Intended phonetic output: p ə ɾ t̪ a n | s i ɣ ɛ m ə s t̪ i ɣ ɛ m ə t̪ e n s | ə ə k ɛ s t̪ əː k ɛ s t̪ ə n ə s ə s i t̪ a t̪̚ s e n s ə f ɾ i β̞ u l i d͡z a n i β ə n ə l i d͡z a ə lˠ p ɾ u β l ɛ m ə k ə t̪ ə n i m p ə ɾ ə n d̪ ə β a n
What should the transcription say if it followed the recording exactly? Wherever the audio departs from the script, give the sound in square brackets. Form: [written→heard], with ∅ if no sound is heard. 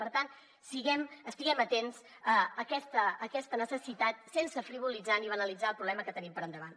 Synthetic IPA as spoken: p ə ɾ t̪ a n | s i ɣ ɛ m ə s t̪ i ɣ ɛ m ə t̪ e n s | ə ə k ɛ s t̪ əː k ɛ s t̪ ə n ə s ə s i t̪ a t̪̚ s e n s ə f ɾ i β̞ u l i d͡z a n i β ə n ə l i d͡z a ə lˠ p ɾ u β l ɛ m ə k ə t̪ ə n i m p ə ɾ ə n d̪ ə β a n